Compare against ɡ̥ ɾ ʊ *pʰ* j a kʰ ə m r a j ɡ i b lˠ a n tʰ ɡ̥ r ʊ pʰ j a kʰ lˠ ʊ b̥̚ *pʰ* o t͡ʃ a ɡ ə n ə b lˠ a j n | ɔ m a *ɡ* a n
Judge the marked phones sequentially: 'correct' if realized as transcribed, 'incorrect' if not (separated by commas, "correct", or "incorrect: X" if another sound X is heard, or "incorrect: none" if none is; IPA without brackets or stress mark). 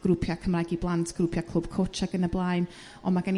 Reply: correct, incorrect: kʰ, correct